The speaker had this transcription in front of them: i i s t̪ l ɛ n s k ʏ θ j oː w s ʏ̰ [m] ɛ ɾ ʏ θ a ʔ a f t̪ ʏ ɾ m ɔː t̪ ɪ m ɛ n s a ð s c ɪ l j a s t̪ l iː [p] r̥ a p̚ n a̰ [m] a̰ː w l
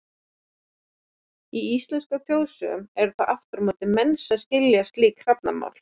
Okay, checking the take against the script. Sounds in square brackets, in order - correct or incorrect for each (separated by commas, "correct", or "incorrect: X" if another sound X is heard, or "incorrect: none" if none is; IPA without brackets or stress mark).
correct, incorrect: k, correct